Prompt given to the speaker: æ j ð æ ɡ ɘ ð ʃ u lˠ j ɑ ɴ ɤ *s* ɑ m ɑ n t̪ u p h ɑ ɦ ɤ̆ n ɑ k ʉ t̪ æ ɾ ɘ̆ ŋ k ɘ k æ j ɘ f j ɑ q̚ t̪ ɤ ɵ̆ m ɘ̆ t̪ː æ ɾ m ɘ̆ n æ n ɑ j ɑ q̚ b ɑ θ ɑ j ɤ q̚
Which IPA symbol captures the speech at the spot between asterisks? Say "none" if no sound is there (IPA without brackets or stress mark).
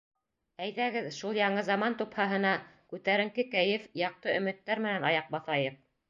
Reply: z